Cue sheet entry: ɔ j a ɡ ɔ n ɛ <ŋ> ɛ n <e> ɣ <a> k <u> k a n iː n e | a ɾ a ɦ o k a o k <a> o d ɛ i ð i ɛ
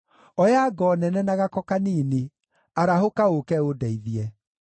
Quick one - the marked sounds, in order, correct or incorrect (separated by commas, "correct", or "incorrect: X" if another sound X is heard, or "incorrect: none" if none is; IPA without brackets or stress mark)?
incorrect: n, incorrect: a, correct, incorrect: ɔ, incorrect: ɛ